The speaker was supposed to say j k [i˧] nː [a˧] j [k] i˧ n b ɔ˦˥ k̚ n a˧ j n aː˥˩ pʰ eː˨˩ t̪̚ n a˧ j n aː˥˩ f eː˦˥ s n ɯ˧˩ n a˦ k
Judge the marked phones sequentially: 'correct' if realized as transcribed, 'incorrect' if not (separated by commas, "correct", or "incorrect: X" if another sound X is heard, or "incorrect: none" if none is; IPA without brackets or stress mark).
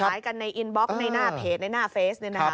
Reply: incorrect: a˧, correct, incorrect: ʔ